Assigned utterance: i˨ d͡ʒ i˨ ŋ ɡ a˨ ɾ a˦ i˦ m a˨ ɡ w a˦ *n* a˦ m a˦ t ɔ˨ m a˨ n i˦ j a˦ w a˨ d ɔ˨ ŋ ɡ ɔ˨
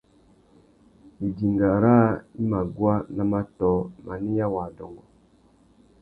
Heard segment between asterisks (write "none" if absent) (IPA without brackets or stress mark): n